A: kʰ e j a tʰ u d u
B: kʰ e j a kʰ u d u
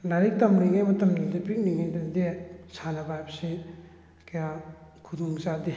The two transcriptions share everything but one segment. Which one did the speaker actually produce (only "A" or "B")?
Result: B